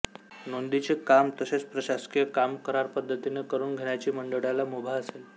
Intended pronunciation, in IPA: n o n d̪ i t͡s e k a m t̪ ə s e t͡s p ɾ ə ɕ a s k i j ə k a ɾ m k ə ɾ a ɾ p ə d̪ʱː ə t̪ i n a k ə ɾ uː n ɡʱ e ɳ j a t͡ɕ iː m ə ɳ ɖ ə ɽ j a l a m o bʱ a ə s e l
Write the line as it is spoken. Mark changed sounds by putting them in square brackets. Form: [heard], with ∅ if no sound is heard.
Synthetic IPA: n o n d̪ i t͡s e k a m t̪ ə s e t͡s p ɾ ə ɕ a s k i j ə k a [∅] m k ə ɾ a ɾ p ə d̪ʱː ə t̪ i n [e] k ə ɾ uː n ɡʱ e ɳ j a t͡ɕ iː m ə ɳ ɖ ə ɽ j a l a m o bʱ a ə s e l